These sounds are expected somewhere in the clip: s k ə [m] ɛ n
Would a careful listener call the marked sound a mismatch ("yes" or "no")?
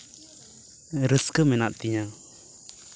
no